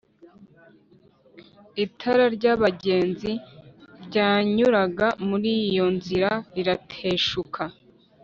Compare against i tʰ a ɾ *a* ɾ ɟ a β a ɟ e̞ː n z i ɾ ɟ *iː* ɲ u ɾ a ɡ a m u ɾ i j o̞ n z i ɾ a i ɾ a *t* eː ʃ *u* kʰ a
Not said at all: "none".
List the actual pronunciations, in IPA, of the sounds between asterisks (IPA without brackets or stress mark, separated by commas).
a, aː, tʰ, u